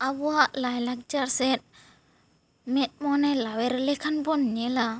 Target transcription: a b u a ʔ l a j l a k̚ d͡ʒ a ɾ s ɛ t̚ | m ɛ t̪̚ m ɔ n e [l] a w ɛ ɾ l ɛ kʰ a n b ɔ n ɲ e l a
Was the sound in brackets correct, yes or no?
yes